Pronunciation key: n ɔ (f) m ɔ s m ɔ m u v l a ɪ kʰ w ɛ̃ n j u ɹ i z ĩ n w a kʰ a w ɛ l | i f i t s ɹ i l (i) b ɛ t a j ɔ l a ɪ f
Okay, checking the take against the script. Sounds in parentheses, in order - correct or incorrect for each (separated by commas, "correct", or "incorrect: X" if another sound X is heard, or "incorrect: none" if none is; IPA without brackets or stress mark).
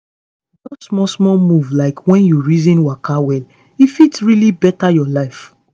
incorrect: s, correct